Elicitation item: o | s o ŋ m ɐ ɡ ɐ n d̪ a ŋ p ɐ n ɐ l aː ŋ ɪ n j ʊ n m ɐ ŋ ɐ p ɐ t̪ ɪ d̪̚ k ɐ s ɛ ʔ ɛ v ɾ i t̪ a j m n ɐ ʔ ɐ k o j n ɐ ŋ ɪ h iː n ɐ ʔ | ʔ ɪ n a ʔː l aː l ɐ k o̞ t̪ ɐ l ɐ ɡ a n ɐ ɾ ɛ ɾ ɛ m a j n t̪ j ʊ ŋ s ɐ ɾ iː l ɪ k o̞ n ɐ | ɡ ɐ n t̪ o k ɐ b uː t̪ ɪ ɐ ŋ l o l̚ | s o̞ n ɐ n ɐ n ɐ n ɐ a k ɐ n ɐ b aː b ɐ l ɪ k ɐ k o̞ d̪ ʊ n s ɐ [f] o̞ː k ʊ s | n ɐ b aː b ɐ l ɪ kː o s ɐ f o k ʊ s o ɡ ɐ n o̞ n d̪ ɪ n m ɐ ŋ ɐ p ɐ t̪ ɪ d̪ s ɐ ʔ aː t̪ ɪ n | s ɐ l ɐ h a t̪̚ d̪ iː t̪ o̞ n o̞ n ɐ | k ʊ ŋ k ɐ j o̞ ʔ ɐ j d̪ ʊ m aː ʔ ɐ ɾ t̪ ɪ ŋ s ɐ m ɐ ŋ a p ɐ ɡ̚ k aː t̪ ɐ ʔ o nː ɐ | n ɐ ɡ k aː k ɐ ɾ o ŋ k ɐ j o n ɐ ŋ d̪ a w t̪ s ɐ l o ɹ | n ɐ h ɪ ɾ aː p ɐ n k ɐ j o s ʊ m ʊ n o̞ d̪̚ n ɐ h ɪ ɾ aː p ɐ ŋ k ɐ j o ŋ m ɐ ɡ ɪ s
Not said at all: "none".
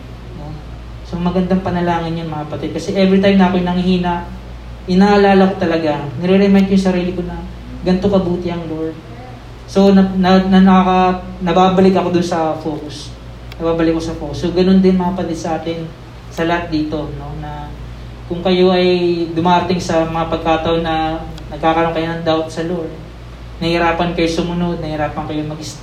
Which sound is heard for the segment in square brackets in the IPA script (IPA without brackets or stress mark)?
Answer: f